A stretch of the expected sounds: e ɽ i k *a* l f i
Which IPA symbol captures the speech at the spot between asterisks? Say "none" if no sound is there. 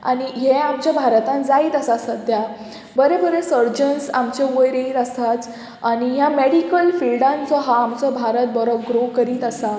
ə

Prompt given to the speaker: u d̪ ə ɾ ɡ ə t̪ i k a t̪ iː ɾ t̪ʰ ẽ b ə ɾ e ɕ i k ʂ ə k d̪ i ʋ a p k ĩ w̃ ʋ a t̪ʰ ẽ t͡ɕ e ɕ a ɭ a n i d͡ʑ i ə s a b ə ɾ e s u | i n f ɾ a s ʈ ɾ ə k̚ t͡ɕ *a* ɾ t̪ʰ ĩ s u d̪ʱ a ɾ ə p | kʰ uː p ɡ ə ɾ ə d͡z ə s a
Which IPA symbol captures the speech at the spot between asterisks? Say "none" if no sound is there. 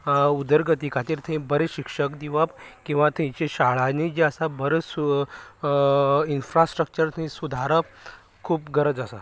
ə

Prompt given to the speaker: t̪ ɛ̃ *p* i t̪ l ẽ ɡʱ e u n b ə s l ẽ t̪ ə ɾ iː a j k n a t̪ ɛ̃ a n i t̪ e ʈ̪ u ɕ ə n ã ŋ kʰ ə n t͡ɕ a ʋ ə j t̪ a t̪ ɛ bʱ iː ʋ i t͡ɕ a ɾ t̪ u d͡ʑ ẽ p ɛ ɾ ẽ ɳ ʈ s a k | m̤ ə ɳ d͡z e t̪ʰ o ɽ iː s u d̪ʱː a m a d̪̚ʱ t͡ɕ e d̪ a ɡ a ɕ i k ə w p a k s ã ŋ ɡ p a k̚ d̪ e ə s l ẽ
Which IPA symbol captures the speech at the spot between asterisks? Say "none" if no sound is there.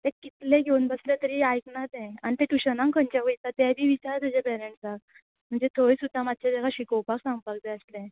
k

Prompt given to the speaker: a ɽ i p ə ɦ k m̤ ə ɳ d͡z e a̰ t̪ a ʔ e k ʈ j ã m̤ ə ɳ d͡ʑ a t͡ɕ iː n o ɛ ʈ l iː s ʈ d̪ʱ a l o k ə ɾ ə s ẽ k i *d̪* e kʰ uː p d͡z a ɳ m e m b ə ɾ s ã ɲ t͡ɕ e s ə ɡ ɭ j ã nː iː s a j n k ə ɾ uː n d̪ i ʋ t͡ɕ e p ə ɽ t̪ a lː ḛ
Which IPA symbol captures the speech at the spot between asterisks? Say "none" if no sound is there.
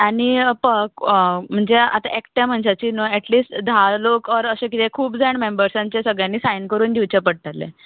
t̪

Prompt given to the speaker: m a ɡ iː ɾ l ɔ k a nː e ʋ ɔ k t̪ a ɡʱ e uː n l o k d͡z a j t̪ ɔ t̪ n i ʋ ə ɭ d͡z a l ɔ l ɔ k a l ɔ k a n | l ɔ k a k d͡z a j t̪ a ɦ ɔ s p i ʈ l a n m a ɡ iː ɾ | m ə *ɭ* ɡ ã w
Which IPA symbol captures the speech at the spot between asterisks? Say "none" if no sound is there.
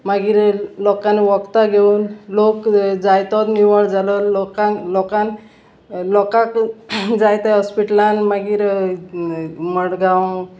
ɽ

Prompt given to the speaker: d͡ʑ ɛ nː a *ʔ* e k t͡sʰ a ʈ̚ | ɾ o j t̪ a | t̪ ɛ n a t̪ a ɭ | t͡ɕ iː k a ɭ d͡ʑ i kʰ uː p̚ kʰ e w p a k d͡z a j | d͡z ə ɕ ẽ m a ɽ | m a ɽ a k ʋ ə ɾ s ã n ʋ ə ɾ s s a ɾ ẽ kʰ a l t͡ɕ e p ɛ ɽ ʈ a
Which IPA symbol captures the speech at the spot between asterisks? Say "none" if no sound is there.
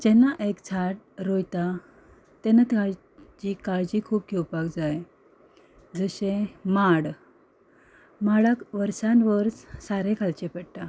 ʔ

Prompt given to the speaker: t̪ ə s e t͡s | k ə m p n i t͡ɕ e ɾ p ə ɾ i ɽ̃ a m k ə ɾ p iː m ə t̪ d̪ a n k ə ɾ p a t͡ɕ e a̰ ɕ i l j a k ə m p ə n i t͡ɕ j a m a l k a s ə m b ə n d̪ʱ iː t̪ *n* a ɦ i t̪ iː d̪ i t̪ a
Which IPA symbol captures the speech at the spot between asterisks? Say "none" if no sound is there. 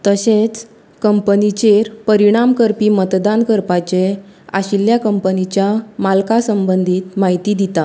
m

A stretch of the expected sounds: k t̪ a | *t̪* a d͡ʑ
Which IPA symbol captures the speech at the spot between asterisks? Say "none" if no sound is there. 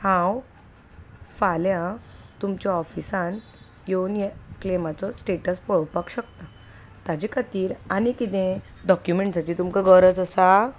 t̪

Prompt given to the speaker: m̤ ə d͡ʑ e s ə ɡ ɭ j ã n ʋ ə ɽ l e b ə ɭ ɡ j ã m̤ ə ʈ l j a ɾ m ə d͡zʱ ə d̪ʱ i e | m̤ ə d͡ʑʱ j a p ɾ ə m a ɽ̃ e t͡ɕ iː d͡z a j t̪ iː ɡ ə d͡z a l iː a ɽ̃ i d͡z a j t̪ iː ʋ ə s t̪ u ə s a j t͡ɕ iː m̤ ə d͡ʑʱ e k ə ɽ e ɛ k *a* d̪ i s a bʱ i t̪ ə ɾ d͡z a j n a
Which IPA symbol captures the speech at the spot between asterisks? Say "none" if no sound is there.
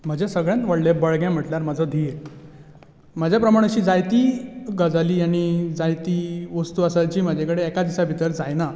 a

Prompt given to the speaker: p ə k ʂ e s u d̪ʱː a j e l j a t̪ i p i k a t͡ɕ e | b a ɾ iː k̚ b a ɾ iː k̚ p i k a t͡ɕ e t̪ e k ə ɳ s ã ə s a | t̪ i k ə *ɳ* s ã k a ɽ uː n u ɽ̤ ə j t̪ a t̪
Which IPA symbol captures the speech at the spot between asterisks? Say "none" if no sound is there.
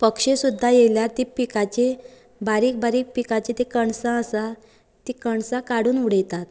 ɳ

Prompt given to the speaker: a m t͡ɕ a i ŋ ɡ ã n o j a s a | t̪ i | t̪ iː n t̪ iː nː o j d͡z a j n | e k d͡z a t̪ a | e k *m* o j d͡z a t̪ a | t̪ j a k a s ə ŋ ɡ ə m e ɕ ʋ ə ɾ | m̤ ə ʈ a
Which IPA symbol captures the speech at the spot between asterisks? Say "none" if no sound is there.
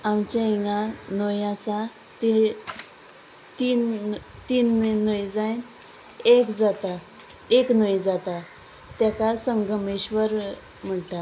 n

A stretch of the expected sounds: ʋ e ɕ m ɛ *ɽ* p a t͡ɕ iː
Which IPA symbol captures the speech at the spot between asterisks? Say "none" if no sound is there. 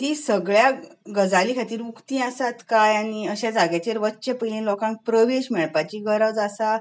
ɭ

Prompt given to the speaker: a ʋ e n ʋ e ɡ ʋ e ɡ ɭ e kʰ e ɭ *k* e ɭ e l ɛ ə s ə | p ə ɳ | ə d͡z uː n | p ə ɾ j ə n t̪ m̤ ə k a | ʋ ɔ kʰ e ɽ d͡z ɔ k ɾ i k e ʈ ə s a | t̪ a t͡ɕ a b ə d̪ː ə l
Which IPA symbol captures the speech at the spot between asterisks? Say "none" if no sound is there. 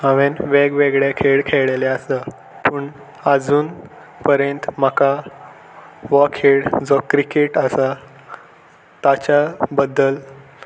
kʰ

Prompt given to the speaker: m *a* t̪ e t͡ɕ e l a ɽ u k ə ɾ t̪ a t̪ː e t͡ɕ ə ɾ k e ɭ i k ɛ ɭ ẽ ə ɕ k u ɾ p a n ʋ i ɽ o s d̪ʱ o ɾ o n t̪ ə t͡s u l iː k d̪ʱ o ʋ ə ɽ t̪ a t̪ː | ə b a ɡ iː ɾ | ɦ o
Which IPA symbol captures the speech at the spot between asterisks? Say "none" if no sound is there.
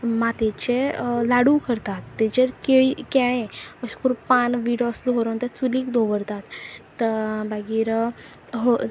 a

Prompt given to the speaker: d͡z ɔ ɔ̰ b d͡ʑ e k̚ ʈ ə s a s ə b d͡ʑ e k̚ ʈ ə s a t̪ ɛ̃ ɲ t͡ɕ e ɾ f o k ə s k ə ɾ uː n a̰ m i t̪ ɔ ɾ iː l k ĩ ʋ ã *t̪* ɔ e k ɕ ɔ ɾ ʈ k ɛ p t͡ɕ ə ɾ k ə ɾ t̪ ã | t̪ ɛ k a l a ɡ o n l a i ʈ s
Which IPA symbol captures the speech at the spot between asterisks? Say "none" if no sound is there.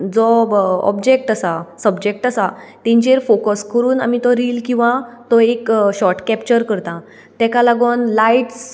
t̪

